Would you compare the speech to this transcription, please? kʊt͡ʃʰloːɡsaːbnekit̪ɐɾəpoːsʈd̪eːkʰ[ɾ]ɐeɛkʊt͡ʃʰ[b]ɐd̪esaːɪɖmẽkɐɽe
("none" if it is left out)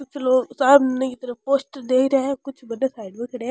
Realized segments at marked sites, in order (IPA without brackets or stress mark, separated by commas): ɾ, b